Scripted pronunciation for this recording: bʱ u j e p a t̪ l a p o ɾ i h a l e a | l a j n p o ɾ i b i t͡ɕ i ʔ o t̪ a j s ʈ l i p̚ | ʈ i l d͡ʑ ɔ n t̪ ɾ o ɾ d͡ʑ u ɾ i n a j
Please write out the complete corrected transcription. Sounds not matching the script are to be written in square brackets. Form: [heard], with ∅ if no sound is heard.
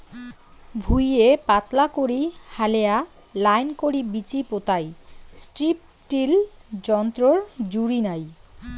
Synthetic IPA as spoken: bʱ u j e p a t̪ l a [k] o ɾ i h a l e a | l a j n [k] o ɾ i b i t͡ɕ i [p] o t̪ a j s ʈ [ɾ] i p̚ | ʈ i l d͡ʑ ɔ n t̪ ɾ o ɾ d͡ʑ u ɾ i n a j

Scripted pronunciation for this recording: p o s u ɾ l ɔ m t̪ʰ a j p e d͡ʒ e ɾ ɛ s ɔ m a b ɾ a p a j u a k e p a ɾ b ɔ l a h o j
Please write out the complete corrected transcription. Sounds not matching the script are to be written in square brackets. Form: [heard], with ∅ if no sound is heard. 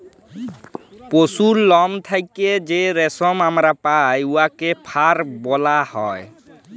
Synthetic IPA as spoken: p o s u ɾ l ɔ m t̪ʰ a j [k] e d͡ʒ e ɾ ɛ s ɔ m a [m] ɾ a p a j u a k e [pʰ] a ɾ b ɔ l a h [ɔ] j

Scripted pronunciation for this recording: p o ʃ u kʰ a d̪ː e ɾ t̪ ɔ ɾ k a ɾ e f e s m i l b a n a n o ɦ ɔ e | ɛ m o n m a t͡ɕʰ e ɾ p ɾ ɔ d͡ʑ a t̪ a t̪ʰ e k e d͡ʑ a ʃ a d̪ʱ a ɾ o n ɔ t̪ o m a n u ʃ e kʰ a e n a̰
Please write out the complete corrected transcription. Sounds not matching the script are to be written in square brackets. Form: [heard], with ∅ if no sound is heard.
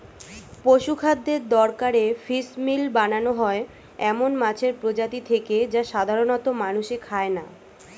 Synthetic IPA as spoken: p o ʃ u kʰ a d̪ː e ɾ [d̪] ɔ ɾ k a ɾ e f [i] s m i l b a n a n o ɦ ɔ e | ɛ m o n m a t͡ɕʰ e ɾ p ɾ [o] d͡ʑ a t̪ [i] t̪ʰ e k e d͡ʑ a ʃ a d̪ʱ a ɾ o n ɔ t̪ o m a n u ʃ e kʰ a e n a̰

